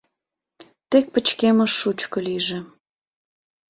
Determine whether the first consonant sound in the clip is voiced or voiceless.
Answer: voiceless